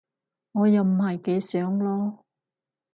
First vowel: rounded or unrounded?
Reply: rounded